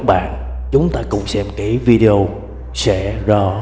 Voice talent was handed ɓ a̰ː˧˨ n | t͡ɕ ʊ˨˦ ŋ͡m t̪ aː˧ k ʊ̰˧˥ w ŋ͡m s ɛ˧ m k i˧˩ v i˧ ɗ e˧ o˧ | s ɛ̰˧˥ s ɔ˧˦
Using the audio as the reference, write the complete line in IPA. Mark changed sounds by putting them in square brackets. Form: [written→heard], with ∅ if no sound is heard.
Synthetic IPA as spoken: ɓ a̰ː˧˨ n | t͡ɕ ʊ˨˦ ŋ͡m t̪ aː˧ k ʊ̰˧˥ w ŋ͡m s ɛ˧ m k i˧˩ v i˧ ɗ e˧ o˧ | s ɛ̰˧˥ [s→z] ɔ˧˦